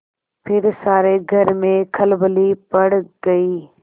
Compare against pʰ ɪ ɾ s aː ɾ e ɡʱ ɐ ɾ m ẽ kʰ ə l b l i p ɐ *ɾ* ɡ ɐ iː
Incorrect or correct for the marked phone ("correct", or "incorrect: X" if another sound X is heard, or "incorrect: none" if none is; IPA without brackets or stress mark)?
incorrect: ɽ